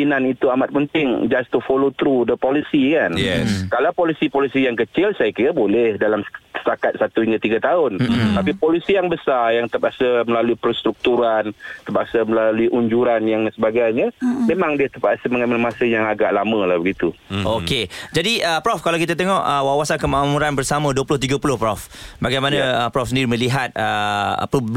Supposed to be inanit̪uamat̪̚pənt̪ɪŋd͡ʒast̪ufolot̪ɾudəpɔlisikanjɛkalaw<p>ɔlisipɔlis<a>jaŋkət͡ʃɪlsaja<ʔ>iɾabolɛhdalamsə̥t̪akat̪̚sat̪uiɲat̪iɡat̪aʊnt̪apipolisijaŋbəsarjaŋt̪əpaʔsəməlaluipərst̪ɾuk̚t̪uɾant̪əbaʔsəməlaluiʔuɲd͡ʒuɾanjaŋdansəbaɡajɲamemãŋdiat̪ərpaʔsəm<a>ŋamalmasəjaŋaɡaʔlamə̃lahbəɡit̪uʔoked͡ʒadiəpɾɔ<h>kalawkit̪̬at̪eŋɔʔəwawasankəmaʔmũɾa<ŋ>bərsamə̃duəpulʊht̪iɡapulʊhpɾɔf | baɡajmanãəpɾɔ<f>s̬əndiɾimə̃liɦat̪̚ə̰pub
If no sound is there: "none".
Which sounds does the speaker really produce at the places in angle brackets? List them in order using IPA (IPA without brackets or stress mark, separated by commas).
p, i, k, ə, f, n, f